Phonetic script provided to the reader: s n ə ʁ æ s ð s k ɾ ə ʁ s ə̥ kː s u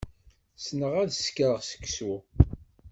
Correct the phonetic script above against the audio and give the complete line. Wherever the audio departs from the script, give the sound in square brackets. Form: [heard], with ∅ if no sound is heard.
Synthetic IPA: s n ə ʁ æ [∅] ð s k ɾ ə ʁ s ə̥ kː s u